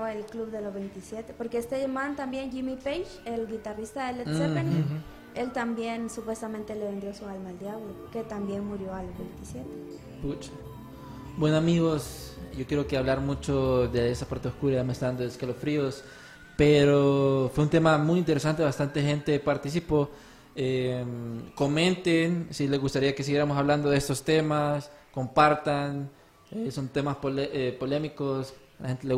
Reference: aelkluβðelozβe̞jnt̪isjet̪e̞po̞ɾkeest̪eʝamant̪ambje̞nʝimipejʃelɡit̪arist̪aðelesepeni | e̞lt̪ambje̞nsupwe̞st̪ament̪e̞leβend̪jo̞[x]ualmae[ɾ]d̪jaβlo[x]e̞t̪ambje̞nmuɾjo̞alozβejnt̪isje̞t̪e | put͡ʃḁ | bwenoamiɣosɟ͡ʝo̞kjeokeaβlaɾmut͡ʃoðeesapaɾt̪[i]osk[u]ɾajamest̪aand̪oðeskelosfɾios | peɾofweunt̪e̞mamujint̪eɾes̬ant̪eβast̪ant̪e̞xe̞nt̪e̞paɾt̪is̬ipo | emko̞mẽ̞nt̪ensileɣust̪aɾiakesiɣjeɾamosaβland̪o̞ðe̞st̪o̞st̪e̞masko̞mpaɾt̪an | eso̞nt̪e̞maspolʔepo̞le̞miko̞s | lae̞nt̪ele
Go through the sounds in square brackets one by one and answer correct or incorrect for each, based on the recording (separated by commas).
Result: incorrect, incorrect, incorrect, incorrect, correct